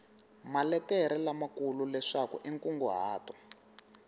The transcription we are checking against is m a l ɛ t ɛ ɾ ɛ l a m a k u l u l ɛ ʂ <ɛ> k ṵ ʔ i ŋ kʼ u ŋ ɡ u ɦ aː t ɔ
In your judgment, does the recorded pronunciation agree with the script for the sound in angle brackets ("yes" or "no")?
no